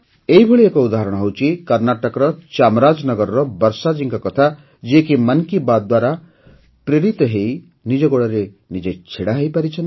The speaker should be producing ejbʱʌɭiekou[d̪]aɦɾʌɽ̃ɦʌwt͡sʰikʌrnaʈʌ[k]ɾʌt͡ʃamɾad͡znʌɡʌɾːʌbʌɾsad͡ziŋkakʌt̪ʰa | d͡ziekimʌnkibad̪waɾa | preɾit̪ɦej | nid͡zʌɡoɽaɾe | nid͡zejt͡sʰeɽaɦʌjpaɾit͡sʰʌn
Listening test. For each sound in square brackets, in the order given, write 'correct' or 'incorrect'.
correct, correct

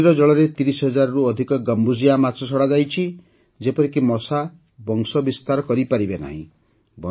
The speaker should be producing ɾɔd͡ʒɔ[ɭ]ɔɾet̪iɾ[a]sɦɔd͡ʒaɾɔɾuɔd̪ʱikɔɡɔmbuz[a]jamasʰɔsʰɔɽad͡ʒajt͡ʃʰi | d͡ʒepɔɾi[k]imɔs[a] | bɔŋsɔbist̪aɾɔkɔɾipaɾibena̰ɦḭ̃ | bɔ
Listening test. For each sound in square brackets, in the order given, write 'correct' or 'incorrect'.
correct, incorrect: i, incorrect: i, correct, correct

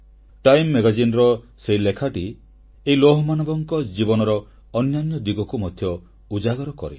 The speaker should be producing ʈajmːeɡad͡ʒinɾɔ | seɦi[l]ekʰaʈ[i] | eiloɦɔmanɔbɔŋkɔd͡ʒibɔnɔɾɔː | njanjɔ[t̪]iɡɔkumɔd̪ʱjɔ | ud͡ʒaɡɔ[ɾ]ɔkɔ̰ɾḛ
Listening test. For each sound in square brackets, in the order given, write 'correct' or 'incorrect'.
correct, correct, incorrect: d̪, correct

